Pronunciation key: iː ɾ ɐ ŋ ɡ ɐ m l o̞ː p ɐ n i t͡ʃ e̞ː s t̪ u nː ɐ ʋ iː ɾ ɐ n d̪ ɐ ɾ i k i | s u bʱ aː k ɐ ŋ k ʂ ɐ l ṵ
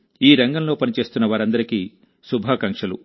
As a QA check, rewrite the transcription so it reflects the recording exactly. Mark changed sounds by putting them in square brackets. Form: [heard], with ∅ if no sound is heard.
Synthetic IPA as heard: iː ɾ ɐ ŋ ɡ ɐ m l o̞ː p ɐ n i t͡ʃ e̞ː s t̪ u nː ɐ ʋ [aː] ɾ ɐ n d̪ ɐ ɾ i k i | s u bʱ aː k ɐ ŋ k ʂ ɐ l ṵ